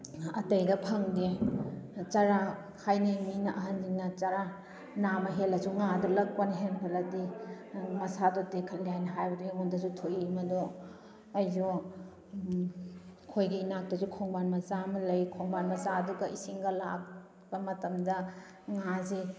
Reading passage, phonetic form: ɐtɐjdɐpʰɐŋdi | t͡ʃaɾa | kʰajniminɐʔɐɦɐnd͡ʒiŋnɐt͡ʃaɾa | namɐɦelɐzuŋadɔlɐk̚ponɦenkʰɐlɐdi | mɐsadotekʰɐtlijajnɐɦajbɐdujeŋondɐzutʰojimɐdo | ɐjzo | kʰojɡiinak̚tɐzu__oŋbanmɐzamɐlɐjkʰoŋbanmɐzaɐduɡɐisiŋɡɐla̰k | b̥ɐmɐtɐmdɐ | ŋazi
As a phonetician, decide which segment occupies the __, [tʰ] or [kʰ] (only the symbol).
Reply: kʰ